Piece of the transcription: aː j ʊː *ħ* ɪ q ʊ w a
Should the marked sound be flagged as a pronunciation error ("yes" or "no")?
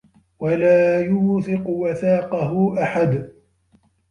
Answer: yes